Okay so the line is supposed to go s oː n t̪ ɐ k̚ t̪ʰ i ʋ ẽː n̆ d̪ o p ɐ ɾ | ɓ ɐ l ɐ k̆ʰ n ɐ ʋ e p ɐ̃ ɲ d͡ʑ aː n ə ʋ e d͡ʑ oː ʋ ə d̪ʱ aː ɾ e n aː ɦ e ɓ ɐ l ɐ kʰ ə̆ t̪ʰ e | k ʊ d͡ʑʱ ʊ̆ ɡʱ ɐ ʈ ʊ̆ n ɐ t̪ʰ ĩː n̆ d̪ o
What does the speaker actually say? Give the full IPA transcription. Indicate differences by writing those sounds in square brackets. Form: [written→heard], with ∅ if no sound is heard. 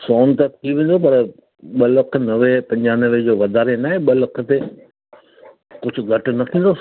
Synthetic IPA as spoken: s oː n t̪ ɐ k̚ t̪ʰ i ʋ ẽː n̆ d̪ o p ɐ ɾ | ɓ ɐ l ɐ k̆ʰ n ɐ ʋ e p ɐ̃ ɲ d͡ʑ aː n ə ʋ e d͡ʑ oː ʋ [ə→ɐ] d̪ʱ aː ɾ e n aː ɦ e ɓ ɐ l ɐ kʰ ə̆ [t̪ʰ→t̪] e | k ʊ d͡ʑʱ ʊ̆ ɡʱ ɐ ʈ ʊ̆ n ɐ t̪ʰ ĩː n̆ d̪ o